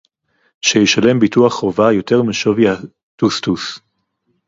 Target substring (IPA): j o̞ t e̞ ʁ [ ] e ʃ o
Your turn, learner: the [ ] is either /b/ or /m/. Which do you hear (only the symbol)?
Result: m